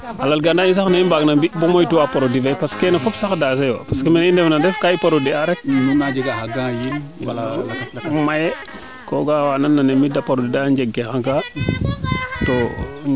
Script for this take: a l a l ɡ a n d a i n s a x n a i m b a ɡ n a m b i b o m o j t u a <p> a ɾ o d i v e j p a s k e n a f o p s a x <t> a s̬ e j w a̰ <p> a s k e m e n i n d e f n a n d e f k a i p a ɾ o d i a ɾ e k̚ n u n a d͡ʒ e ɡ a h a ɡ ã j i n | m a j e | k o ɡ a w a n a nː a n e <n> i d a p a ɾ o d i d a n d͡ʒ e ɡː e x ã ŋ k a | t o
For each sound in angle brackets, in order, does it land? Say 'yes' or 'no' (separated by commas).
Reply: yes, no, yes, no